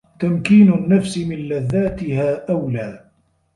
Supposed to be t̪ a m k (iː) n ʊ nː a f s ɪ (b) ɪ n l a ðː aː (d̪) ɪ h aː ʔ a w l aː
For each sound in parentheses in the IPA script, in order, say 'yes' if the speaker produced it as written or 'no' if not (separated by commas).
yes, no, no